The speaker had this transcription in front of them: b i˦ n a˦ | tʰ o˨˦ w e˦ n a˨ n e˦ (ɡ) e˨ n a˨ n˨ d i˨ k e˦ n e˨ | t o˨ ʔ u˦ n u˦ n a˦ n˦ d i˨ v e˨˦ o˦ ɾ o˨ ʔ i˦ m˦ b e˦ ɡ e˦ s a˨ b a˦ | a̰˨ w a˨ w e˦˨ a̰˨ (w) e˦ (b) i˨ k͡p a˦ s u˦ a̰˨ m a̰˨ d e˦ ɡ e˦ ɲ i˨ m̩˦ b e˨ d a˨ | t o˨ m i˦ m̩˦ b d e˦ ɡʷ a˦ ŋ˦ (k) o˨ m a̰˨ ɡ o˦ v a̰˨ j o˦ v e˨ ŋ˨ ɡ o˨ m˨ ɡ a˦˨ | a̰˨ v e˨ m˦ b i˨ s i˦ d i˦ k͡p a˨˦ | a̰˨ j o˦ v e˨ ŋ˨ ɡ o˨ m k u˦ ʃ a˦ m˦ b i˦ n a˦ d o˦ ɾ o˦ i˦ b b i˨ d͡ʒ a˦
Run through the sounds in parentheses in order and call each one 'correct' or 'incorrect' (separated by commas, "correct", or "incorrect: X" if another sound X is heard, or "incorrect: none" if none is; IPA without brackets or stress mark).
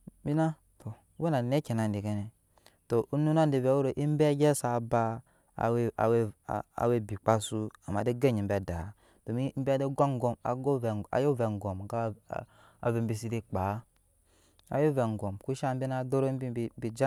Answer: incorrect: k, correct, correct, incorrect: ɡ